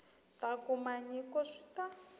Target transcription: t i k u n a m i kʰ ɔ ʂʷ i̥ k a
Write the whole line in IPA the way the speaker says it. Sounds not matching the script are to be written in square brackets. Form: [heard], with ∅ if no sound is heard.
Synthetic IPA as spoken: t [a] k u [m] a [ɲ] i [k] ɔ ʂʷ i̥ [t] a